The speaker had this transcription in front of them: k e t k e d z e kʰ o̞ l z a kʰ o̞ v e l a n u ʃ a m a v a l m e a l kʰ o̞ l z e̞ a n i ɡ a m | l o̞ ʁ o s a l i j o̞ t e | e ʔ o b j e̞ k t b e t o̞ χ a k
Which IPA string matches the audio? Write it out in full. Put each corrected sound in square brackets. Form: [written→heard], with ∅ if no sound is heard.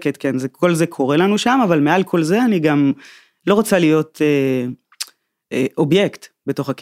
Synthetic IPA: k e t k e [d→n] z e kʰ o̞ l z [a→e] kʰ o̞ [v→ʁ] e l a n u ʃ a m a v a l m e a l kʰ o̞ l z e̞ a n i ɡ a m | l o̞ ʁ o [s→t͡s] a l i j o̞ t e | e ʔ o b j e̞ k t b e t o̞ χ a k